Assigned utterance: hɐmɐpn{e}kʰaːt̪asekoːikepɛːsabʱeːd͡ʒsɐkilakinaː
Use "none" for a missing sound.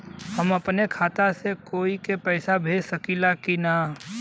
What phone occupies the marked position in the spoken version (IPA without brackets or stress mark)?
e